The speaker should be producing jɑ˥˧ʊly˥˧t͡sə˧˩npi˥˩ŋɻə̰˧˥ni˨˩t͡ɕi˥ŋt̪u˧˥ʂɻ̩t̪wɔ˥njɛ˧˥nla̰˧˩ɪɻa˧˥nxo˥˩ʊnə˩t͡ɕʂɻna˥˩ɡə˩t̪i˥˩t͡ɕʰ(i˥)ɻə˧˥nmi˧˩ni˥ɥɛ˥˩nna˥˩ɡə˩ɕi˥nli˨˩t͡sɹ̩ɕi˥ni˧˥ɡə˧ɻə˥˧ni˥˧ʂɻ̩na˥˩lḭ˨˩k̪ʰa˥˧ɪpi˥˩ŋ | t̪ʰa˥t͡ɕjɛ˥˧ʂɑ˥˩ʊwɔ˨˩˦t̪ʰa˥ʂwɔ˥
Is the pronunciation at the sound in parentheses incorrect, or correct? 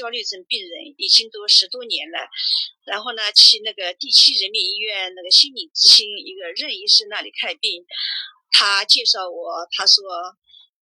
correct